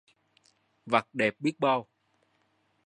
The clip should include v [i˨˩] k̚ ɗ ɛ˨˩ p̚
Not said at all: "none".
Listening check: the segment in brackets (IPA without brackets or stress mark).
a˨˩